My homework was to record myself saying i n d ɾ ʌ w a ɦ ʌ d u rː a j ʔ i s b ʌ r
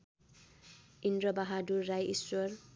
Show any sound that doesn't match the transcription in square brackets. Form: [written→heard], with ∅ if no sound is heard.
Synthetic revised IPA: i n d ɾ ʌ [w→b] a ɦ [ʌ→a] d u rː a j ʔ i s [b→w] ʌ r